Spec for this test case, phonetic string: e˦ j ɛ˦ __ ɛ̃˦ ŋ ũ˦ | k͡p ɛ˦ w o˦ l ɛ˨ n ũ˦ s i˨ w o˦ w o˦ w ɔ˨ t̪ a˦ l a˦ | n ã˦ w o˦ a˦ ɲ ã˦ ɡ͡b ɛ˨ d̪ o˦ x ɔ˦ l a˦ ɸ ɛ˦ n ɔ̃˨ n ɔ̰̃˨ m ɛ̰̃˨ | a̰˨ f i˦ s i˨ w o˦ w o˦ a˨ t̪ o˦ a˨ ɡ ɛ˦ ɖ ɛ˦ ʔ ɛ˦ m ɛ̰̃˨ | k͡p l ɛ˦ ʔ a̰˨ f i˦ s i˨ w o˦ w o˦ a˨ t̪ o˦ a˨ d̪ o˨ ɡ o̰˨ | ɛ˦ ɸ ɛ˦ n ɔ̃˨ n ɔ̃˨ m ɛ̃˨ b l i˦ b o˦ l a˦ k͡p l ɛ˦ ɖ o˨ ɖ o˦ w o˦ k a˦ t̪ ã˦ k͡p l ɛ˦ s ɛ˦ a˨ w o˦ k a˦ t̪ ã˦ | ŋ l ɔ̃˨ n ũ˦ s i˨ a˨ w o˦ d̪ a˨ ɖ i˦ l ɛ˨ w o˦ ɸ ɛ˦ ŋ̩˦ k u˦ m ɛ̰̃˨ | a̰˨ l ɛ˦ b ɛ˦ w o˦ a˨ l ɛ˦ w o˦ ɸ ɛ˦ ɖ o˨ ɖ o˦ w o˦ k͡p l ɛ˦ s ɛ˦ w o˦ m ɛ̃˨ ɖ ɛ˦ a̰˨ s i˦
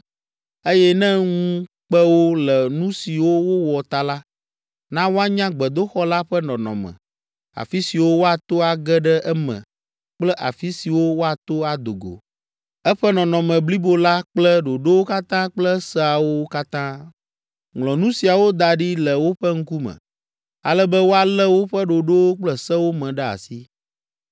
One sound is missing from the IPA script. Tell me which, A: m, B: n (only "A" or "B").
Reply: B